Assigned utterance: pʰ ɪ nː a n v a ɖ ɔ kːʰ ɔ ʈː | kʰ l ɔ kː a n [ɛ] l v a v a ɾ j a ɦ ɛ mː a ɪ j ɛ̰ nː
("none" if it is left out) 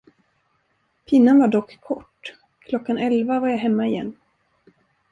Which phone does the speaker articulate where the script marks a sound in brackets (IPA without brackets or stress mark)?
ɛ